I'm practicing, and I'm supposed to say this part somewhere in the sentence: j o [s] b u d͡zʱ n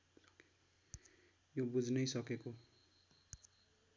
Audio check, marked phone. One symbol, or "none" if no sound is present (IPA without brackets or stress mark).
none